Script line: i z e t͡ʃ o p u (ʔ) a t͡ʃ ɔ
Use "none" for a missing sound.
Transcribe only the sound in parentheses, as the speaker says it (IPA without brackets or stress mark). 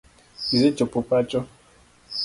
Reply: p